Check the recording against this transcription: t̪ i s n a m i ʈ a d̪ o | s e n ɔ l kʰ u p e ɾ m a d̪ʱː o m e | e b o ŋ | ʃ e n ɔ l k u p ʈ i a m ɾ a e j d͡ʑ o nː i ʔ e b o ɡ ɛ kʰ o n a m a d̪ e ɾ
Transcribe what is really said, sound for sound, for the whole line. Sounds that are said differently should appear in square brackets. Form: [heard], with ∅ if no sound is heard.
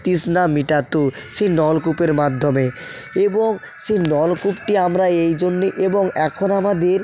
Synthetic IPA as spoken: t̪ i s n a m i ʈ a [t̪] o | [ʃ] e n ɔ l [k] u p e ɾ m a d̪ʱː o m e | e b o ŋ | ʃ e n ɔ l k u p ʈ i a m ɾ a e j d͡ʑ o nː i ʔ e b o [ŋ] ɛ kʰ o n a m a d̪ e ɾ